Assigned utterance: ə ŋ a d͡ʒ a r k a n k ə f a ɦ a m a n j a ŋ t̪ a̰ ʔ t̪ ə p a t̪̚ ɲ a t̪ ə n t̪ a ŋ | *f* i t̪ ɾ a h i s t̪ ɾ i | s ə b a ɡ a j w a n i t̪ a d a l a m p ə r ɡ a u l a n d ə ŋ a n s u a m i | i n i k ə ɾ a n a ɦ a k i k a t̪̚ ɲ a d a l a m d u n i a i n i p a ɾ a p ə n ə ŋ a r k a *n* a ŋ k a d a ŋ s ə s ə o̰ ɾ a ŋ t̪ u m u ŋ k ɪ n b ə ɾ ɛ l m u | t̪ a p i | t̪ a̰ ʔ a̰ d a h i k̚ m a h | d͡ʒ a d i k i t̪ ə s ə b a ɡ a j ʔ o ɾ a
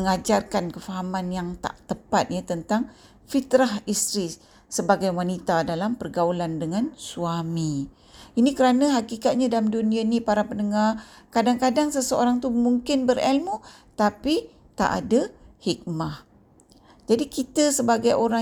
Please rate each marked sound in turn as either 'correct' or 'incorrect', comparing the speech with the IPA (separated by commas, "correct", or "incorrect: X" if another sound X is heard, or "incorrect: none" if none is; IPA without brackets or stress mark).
correct, incorrect: d